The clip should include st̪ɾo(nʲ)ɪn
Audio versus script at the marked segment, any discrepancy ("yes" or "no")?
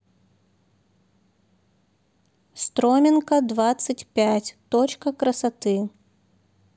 yes